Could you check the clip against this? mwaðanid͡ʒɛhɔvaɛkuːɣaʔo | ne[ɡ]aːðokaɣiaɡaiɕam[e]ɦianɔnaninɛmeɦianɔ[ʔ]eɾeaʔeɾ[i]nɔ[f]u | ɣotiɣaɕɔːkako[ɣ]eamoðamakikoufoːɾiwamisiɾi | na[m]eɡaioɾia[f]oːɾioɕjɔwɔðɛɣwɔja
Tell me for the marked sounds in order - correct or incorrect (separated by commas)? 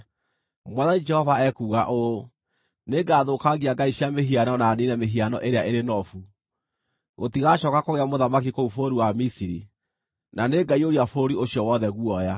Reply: correct, correct, correct, incorrect, correct, correct, incorrect, correct